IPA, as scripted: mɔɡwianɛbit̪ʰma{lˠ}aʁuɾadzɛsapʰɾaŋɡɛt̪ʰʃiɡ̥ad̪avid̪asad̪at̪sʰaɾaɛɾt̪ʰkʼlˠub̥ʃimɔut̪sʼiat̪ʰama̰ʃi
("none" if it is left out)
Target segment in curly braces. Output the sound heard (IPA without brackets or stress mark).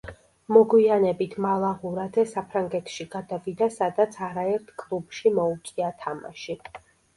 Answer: lˠ